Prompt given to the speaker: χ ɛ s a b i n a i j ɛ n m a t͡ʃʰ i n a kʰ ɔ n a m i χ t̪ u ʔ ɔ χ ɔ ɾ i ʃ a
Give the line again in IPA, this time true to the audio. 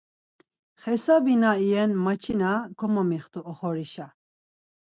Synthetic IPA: χ ɛ s a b i n a i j ɛ n m a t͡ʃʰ i n a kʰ ɔ m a m i χ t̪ u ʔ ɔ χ ɔ ɾ i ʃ a